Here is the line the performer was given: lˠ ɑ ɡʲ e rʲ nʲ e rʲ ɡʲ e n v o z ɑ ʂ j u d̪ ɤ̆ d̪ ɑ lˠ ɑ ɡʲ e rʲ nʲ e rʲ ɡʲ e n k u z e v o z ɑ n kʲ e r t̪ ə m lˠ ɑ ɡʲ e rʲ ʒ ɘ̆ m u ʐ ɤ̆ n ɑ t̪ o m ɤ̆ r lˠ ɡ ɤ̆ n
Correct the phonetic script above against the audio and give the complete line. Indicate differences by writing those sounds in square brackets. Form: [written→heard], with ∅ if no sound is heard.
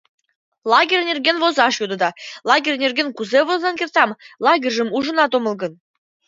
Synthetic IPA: lˠ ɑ ɡʲ e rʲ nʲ e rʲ ɡʲ e n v o z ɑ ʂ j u d̪ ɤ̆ d̪ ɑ lˠ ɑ ɡʲ e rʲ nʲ e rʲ ɡʲ e n k u z e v o z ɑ n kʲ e r t̪ [ə→ɑ] m lˠ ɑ ɡʲ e rʲ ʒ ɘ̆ m u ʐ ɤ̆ n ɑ t̪ o m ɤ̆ [r→∅] lˠ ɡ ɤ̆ n